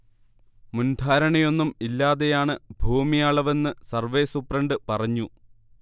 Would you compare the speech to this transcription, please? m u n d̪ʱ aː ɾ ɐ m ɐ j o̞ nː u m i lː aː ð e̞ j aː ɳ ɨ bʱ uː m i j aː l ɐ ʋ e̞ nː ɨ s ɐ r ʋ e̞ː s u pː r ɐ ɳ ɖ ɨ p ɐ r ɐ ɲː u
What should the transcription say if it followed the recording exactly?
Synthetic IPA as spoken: m u n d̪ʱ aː ɾ ɐ ɳ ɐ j o̞ nː u m i lː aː ð e̞ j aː ɳ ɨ bʱ uː m i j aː ɭ ɐ ʋ e̞ nː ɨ s ɐ r ʋ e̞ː s u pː r ɐ ɳ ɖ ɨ p ɐ r ɐ ɲː u